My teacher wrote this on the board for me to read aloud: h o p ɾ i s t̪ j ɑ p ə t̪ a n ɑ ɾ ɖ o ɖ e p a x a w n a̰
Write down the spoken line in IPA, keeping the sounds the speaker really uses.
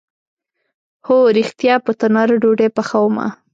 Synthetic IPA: h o ɾ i x t̪ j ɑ p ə t̪ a n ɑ ɾ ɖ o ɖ e p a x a w m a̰